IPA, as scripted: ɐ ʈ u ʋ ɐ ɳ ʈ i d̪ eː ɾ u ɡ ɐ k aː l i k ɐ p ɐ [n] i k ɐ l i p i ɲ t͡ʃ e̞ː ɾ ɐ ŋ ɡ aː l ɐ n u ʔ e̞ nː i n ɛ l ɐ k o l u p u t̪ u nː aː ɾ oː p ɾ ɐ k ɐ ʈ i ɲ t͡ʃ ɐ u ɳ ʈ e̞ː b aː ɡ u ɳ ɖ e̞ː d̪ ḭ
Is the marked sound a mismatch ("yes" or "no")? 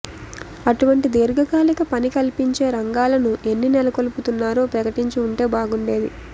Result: no